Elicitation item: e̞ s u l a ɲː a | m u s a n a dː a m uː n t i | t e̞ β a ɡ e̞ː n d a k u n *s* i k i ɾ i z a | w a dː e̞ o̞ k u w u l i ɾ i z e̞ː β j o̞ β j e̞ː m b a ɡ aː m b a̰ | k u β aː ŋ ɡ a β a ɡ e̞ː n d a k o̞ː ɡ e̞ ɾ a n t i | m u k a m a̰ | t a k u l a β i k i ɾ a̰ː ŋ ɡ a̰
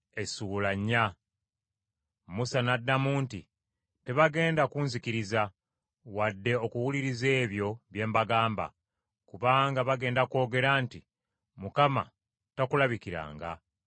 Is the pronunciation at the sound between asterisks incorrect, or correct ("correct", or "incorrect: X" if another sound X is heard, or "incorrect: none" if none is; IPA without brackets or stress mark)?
incorrect: z